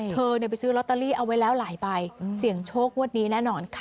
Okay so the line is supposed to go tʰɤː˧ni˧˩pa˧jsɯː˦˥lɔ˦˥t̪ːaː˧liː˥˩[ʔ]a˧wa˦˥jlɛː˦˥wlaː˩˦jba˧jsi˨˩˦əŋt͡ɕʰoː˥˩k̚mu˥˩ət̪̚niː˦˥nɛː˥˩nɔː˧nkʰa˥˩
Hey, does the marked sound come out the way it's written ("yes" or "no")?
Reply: yes